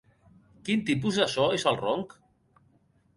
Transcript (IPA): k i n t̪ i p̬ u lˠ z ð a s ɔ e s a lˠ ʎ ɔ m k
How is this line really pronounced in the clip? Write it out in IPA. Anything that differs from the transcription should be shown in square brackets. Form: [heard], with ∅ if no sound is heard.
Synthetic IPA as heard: k i n t̪ i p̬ u [∅] z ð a s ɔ e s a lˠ [r] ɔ [ŋ] k